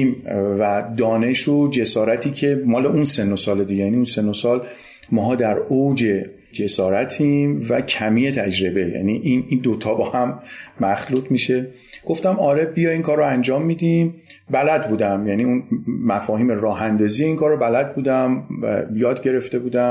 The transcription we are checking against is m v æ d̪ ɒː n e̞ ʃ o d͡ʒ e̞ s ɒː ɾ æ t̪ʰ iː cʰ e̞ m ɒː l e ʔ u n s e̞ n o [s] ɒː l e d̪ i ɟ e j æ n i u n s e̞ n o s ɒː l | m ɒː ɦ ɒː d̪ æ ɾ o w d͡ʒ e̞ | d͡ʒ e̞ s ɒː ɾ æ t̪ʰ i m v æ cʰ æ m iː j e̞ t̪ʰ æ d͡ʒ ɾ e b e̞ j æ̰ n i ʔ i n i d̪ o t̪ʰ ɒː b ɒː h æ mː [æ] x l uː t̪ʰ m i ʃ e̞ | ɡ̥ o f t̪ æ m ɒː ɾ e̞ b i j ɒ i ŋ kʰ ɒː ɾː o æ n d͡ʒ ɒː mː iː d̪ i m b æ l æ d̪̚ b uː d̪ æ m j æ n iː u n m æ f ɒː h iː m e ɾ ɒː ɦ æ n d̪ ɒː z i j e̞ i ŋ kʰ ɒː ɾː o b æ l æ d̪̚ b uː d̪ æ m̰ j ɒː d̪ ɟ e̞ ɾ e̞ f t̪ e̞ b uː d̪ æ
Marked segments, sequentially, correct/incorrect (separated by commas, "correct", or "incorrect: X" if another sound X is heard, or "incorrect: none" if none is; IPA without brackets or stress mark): correct, correct